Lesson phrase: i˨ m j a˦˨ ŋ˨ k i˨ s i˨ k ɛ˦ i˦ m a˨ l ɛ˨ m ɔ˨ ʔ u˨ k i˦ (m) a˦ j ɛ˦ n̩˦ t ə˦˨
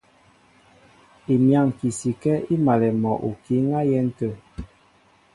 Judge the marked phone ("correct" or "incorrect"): incorrect